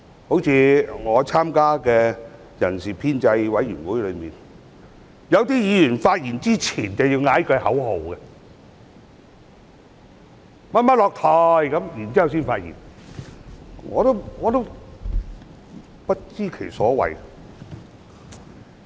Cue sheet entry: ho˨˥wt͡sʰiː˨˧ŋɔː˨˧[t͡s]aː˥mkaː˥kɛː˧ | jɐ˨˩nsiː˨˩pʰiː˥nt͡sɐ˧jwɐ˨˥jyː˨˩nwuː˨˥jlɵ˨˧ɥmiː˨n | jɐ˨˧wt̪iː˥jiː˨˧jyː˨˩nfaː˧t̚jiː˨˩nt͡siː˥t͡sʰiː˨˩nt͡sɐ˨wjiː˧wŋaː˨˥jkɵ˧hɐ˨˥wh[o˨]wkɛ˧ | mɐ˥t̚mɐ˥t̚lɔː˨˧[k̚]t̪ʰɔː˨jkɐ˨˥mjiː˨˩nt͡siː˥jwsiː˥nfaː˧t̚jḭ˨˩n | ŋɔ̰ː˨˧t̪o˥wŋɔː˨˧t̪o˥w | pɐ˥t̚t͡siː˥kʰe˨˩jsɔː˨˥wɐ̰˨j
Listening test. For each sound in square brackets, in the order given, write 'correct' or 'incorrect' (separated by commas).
incorrect, correct, correct